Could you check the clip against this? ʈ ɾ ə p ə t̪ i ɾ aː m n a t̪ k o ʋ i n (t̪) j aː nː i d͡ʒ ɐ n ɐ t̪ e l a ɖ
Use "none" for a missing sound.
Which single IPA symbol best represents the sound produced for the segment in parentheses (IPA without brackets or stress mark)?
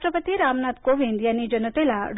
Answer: d̪